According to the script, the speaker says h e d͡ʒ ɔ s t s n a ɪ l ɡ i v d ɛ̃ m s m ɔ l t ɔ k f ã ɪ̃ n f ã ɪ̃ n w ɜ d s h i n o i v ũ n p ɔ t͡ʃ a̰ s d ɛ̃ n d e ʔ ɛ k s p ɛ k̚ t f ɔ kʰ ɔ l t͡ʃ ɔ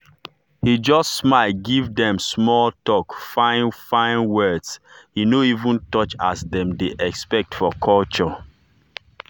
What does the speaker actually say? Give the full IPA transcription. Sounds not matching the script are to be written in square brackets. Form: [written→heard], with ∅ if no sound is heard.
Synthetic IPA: h [e→i] d͡ʒ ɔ s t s [n→m] a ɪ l ɡ i v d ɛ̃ m s m ɔ l t ɔ k f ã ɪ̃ n f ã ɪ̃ n w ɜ d s h i n o i v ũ n [p→t] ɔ t͡ʃ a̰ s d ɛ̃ [n→m] d e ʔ ɛ k s p ɛ k̚ t f ɔ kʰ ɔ l t͡ʃ ɔ

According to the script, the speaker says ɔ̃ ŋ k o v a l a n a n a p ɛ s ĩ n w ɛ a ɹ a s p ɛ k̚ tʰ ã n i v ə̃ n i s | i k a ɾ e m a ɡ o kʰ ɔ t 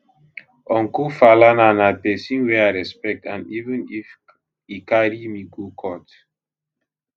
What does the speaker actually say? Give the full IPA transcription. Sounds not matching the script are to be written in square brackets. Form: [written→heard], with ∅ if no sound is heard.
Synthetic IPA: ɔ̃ ŋ k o [v→f] a l a n a n a p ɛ s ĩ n w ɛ a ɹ [a→ɛ] s p ɛ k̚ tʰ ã n i v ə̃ n i [s→f] | i k a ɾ [e→i] m [a→i] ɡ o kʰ ɔ t

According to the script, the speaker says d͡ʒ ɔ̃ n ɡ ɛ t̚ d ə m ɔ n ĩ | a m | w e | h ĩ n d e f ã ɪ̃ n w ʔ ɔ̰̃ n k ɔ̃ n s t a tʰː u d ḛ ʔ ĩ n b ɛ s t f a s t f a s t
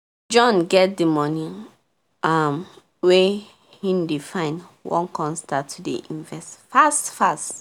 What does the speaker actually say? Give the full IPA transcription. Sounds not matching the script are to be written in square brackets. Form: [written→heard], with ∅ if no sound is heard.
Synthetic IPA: d͡ʒ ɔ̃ n ɡ ɛ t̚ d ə m ɔ n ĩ | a m | w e | h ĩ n d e f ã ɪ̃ n w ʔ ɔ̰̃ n k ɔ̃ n s t a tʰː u d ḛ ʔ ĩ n [b→v] ɛ s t f a s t f a s t

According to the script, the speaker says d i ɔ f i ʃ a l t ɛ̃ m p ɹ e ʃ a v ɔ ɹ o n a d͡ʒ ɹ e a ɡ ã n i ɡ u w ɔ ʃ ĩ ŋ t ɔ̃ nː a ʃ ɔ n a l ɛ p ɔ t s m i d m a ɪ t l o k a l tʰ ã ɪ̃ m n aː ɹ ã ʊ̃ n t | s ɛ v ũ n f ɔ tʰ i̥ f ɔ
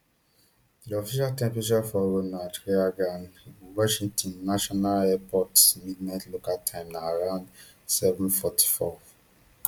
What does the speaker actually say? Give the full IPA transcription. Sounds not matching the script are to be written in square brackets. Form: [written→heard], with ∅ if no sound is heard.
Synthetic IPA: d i ɔ f i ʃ a l t ɛ̃ m p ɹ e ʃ a [v→f] ɔ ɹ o n a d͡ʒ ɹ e a ɡ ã n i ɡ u w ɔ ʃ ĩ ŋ t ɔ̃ nː a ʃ ɔ n a l ɛ p ɔ t s m i d [m→n] a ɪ t l o k a l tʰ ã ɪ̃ m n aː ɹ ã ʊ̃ n [t→d] | s ɛ v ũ n f ɔ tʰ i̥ f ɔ

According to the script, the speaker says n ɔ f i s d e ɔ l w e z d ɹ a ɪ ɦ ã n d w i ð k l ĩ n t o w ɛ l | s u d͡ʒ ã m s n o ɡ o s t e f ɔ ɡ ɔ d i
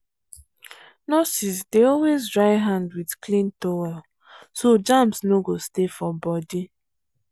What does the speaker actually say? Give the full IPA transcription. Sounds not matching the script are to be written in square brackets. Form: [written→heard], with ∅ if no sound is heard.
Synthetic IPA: n ɔ [f→s] i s d e ɔ l w e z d ɹ a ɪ ɦ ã n d w i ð k l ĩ n t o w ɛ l | s [u→o] d͡ʒ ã m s n o ɡ o s t e f ɔ [ɡ→b] ɔ d i

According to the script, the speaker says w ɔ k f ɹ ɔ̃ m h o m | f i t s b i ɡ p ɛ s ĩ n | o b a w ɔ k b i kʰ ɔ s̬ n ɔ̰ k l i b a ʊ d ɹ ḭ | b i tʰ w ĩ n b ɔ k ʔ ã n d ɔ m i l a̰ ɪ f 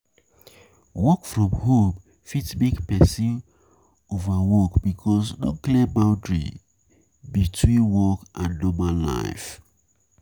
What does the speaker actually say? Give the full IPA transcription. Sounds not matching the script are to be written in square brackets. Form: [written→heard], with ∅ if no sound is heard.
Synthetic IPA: w ɔ k f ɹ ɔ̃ m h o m | f i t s b i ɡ p ɛ s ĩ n | o [b→v] a w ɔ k b i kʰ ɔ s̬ n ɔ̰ k l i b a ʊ d ɹ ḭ | b i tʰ w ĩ n [b→w] ɔ k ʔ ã n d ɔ m [i→a] l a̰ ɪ f

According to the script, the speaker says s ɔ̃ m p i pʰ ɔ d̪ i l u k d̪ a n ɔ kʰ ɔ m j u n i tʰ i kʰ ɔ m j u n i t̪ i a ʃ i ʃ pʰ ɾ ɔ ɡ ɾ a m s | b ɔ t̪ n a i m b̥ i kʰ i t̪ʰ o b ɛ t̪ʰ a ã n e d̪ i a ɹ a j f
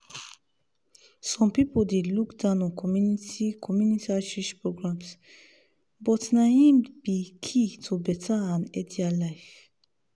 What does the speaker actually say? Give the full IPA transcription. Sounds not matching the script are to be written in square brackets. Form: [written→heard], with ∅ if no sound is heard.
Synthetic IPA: s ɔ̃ m p i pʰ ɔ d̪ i l u k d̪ a n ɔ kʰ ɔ m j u n i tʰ i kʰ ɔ m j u n i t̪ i a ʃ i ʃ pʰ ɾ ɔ ɡ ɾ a m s | b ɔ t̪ n a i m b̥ i kʰ i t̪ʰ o b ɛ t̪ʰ a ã n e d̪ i a [ɹ→l] a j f

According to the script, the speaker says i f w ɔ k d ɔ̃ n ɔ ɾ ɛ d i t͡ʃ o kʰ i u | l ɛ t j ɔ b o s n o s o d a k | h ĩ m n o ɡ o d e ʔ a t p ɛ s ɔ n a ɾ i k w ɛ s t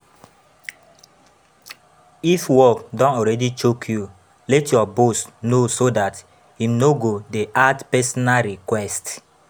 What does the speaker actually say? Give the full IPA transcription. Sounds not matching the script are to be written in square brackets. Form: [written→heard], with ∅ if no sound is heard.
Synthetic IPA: i f w ɔ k d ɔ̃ n ɔ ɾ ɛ d i t͡ʃ o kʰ [i→j] u | l ɛ t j ɔ b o s n o s o d a [k→t] | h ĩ m n o ɡ o d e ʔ a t p ɛ s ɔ n a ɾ i k w ɛ s t

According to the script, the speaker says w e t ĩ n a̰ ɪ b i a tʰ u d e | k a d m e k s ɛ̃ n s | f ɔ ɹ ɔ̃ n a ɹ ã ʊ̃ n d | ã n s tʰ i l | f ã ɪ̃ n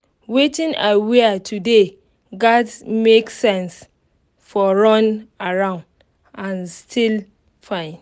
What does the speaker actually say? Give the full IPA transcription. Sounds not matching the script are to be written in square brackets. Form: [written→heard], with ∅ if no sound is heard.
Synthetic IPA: w e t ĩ n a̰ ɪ [b→w] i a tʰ u d e | [k→ɡ] a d m e k s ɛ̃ n s | f ɔ ɹ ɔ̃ n a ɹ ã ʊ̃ n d | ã n s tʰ i l | f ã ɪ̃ n

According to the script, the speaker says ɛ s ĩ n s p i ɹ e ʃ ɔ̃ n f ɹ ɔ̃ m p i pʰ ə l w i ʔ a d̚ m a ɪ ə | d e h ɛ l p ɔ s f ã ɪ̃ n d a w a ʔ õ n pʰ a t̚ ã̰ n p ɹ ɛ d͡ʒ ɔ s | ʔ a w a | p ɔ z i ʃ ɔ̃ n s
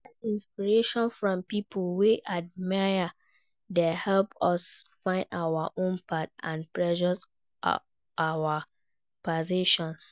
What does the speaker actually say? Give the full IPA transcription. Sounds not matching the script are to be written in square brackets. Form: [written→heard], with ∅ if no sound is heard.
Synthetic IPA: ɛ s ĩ n s p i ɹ e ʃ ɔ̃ n f ɹ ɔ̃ m p i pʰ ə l w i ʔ a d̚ m a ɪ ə | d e h ɛ l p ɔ s f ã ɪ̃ n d a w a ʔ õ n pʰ a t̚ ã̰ n p ɹ ɛ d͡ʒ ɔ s | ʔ a w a | p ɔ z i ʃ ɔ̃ n s

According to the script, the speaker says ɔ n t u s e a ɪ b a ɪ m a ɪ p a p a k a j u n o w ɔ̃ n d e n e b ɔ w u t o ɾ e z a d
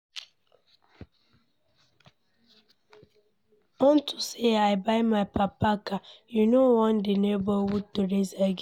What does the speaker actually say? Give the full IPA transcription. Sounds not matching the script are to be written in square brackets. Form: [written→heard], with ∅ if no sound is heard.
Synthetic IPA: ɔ n t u s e a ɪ b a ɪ m a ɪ p a p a k a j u n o w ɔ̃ n d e n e b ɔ w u t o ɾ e z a [d→ɡ]

